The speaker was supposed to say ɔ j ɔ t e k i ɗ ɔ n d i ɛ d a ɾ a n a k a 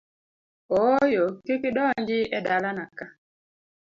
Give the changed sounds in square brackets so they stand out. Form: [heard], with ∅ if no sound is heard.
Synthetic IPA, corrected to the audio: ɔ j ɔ [k] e k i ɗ ɔ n [d͡ʒ] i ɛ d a [l] a n a k a